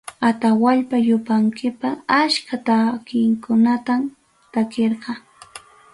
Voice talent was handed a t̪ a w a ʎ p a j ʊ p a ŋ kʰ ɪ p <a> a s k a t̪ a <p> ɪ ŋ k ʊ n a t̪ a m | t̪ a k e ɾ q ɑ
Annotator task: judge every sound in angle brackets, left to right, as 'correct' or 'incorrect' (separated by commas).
correct, incorrect